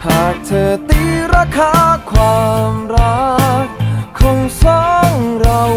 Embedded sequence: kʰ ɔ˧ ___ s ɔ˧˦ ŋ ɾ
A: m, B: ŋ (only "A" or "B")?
B